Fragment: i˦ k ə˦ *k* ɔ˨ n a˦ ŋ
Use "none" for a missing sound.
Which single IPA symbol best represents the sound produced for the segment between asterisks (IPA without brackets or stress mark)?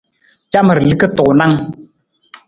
t